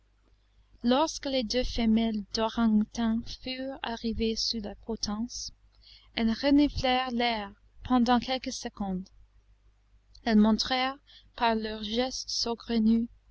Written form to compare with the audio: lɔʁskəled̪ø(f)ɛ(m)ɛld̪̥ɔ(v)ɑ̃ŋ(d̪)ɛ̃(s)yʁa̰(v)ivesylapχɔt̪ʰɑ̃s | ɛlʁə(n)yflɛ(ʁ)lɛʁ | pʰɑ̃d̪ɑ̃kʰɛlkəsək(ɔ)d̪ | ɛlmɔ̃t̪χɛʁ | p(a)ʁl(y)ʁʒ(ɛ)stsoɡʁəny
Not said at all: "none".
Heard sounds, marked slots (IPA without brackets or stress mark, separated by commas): f, m, ʁ, t̪, f, ʁ, n, ʁ, ɔ̃, a, œ, ɛ